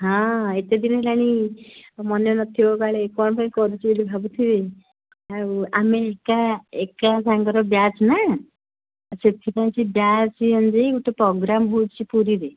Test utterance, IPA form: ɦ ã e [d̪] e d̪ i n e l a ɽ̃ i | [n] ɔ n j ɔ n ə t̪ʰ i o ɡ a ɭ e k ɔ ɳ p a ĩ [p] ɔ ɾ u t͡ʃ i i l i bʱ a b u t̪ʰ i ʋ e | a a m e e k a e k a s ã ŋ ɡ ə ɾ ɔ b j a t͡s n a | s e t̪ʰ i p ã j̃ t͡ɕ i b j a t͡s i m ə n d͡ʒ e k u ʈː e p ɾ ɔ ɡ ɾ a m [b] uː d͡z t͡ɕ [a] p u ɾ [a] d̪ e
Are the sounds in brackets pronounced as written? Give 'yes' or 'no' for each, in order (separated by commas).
no, no, no, yes, no, no